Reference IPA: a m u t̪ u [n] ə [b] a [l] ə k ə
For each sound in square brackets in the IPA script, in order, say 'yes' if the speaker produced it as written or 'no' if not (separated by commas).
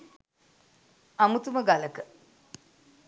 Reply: no, no, yes